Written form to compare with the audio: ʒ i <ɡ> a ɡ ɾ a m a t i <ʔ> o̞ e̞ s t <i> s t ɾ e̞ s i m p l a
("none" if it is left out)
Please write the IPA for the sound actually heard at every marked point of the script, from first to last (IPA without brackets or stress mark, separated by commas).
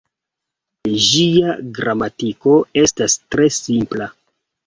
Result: none, k, a